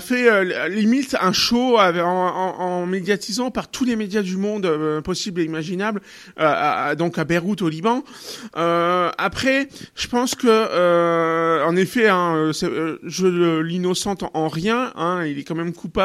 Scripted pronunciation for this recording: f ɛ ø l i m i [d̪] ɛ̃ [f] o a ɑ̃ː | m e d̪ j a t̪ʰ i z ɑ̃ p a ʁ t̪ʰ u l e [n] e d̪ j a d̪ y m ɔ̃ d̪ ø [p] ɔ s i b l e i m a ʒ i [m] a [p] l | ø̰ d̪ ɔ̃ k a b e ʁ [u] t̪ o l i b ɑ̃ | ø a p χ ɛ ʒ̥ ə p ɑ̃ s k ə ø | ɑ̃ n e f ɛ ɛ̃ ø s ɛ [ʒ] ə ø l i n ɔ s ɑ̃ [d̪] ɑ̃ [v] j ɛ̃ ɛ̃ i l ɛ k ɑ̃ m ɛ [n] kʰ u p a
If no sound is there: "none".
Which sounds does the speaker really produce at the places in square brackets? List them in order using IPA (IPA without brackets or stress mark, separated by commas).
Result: t̪, ʃ, m, p, n, b, u, ʒ, t̪, ʁ, m